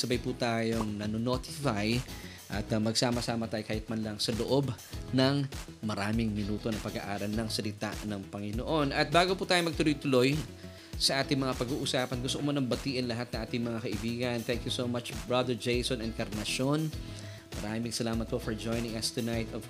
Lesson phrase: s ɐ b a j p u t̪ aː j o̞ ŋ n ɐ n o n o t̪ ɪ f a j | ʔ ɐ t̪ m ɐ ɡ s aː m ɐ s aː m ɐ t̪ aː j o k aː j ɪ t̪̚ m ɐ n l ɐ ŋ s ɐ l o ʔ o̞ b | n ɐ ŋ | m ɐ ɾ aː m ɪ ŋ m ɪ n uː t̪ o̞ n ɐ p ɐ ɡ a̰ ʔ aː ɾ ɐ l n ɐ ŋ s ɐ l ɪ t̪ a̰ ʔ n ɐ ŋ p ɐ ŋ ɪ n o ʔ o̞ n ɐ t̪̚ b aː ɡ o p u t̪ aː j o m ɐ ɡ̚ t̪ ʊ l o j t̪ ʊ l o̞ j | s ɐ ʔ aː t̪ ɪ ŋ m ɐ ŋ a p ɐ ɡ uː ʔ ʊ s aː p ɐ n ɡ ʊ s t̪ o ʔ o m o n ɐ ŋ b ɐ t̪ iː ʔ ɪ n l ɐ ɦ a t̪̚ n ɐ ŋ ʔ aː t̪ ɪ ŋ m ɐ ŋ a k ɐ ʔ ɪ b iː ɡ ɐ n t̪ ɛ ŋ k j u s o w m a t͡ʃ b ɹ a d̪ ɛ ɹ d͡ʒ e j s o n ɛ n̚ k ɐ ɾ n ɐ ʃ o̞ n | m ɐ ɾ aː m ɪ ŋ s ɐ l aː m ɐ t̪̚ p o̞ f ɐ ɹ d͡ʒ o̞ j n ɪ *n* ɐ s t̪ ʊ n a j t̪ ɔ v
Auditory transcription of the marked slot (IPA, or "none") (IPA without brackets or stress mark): ŋ